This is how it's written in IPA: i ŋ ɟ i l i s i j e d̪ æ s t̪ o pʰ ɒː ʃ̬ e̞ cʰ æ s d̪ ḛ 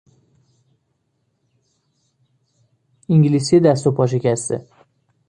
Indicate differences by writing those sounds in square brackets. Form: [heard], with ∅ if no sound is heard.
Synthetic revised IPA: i ŋ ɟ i l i s i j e d̪ æ s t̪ o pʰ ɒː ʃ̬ e̞ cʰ æ s [t̪] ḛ